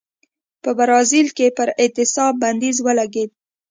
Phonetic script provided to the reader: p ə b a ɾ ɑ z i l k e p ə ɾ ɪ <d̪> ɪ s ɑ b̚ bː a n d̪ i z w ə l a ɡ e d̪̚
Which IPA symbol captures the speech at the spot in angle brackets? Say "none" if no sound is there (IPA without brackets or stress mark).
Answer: t̪